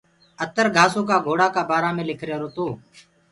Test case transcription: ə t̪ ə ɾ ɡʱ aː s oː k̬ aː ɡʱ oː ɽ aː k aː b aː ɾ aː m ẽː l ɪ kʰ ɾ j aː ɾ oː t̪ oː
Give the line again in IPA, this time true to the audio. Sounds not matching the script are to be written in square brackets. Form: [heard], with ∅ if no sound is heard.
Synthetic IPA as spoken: ə t̪ ə ɾ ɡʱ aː s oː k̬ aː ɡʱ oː ɽ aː k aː b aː ɾ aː m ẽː l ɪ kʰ ɾ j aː ɾ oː t̪ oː